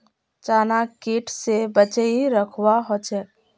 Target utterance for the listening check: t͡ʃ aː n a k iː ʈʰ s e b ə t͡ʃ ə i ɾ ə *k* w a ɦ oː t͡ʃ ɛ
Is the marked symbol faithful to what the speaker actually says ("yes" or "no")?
no